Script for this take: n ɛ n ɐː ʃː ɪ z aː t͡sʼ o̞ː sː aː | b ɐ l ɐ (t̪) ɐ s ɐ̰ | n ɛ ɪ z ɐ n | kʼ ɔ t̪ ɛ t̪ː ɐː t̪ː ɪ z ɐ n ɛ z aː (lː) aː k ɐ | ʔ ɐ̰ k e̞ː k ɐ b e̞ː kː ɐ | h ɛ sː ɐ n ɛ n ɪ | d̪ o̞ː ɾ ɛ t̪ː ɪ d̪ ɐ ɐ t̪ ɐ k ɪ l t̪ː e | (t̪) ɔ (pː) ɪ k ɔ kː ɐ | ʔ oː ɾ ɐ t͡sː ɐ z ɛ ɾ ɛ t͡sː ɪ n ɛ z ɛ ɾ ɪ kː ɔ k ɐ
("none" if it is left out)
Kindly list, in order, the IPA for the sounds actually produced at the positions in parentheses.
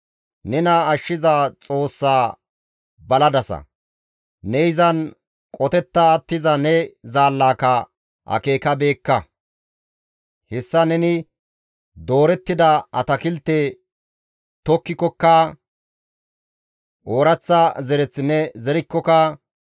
d̪, lː, t̪, kː

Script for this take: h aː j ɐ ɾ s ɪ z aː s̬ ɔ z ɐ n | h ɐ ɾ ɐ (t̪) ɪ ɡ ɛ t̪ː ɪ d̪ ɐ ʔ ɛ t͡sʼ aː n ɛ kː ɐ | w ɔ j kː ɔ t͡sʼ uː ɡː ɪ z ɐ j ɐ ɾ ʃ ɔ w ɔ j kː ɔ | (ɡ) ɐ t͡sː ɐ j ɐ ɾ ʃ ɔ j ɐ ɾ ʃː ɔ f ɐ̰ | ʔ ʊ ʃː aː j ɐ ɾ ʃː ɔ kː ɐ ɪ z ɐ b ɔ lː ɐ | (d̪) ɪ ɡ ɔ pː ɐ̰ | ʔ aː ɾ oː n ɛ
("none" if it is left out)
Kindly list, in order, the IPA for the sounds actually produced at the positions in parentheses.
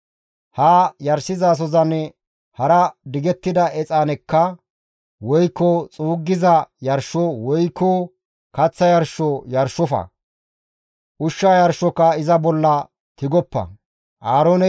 d̪, k, t̪

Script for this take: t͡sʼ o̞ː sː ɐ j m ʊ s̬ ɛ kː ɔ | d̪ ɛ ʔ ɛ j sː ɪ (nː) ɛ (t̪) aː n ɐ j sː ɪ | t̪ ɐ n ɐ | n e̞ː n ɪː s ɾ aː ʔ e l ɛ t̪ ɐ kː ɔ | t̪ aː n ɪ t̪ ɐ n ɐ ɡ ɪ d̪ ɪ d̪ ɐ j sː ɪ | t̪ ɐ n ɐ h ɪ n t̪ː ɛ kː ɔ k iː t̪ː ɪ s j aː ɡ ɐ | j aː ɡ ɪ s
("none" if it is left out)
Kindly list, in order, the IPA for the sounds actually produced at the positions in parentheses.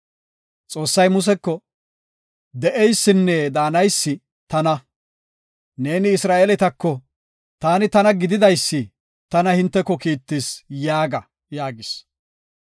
nː, d̪

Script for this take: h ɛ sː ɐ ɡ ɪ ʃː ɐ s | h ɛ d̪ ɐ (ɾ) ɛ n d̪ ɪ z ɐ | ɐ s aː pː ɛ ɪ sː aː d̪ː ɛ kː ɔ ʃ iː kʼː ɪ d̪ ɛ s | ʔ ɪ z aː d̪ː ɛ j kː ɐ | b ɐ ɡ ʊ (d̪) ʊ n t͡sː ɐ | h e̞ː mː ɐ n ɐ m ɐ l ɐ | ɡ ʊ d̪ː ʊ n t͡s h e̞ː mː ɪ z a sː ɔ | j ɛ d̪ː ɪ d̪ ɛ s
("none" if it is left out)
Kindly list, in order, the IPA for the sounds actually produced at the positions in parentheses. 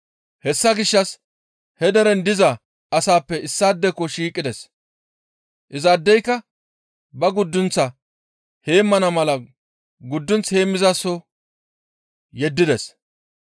ɾ, d̪ː

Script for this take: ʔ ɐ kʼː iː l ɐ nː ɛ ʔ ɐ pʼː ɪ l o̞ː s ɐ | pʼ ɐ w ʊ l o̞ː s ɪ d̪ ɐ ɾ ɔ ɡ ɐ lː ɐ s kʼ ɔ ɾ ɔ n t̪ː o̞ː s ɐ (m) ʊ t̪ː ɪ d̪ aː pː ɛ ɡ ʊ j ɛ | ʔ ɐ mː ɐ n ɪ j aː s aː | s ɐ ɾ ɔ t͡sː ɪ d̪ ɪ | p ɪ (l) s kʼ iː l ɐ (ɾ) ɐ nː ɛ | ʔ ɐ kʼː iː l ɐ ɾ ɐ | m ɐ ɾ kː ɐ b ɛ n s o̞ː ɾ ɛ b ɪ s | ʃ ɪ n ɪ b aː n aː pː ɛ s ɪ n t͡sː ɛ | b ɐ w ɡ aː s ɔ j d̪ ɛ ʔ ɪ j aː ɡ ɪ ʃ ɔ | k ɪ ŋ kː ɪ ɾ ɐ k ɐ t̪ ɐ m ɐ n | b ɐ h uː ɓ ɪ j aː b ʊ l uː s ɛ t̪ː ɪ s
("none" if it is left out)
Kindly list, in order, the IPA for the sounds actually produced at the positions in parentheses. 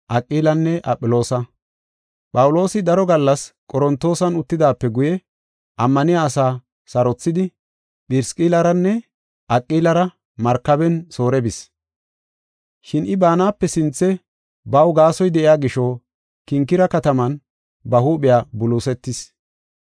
n, ɾ, ɾ

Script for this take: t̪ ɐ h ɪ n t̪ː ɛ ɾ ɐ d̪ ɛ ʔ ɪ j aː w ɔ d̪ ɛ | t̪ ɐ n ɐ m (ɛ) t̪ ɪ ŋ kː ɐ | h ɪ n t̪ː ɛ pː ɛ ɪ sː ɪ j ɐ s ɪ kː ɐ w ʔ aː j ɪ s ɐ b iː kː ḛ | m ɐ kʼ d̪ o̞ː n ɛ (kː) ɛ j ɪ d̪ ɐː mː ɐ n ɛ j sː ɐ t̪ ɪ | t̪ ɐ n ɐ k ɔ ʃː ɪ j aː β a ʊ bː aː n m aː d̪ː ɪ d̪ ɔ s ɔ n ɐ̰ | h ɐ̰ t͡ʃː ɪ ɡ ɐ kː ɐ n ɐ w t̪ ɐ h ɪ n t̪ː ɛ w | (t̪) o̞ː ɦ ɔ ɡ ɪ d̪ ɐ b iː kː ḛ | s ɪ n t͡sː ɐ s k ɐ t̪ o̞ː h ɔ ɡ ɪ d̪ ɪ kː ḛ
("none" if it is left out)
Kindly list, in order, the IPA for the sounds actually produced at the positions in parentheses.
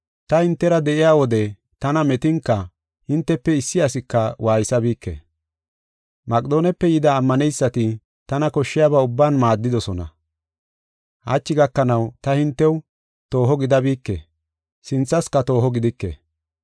ɛ, pː, t̪

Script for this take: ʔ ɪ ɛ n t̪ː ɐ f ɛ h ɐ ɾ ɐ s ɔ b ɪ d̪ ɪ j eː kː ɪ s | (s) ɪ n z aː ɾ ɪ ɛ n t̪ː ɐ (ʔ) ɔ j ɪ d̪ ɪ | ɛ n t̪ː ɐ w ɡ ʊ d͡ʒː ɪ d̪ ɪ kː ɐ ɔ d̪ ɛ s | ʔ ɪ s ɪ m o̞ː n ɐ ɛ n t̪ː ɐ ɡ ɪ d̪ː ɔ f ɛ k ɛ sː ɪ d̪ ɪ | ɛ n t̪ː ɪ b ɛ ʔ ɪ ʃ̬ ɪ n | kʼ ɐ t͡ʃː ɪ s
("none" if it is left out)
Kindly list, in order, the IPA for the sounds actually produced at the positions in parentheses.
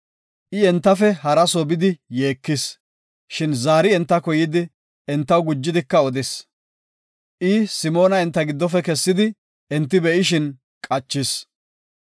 ʃ, k

